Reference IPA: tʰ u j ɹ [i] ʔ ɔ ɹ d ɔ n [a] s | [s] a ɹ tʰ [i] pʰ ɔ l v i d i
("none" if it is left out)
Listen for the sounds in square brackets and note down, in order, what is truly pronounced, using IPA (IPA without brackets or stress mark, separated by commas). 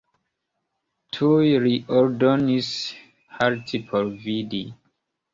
i, i, h, i